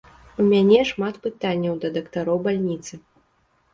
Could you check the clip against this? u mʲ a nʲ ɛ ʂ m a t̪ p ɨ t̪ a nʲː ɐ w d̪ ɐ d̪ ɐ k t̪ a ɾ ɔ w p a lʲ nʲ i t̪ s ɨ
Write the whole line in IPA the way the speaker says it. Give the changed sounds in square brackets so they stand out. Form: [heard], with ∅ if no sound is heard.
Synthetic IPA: u mʲ a nʲ ɛ ʂ m a t̪ p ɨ t̪ a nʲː ɐ w d̪ ɐ d̪ ɐ k t̪ a ɾ ɔ w [b] a lʲ nʲ i t̪ s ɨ